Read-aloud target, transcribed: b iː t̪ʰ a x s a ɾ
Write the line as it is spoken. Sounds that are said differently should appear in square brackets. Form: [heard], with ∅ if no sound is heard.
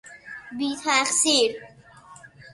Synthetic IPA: b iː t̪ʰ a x s [i] ɾ